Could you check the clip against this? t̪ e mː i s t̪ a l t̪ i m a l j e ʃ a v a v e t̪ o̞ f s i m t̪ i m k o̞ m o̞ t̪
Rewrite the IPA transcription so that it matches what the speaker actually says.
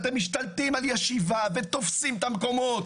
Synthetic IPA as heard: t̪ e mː i ʃ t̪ a l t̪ i m a l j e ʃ i v a v e t̪ o̞ f s i m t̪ a m k o̞ m o̞ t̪